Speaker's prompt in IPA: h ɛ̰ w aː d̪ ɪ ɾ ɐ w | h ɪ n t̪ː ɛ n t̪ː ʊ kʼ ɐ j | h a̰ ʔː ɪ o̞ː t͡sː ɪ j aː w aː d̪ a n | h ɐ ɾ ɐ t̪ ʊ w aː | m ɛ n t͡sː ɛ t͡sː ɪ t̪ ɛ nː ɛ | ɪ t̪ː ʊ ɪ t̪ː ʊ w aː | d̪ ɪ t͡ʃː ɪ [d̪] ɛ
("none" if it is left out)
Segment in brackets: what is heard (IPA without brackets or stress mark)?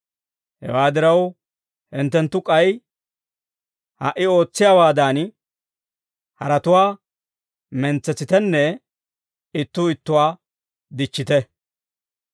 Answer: t̪